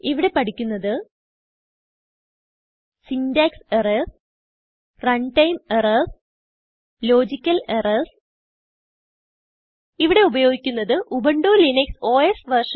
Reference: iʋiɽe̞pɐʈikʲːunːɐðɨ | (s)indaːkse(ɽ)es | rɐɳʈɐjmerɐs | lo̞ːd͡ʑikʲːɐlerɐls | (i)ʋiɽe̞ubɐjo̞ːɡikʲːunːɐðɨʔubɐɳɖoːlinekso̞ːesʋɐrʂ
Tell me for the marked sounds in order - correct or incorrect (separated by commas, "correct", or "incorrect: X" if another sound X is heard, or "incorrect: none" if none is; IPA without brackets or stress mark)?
correct, incorrect: r, correct